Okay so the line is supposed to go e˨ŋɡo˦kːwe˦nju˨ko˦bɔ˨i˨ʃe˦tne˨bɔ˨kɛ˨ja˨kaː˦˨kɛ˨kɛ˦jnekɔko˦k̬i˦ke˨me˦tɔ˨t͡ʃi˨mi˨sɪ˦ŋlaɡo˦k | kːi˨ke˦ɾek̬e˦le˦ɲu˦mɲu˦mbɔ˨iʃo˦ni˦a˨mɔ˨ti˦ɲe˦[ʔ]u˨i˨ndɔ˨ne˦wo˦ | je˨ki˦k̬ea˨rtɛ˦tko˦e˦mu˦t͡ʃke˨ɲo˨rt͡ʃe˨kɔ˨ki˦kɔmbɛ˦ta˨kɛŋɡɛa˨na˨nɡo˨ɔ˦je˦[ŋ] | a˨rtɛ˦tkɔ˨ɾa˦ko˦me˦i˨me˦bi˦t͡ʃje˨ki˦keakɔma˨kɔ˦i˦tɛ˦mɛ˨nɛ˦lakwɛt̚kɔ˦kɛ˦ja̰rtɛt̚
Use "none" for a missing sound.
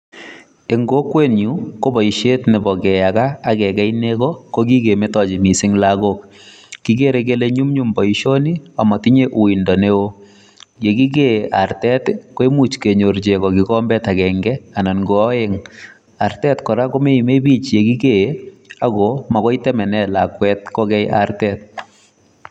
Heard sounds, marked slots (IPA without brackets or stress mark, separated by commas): ʔ, ŋ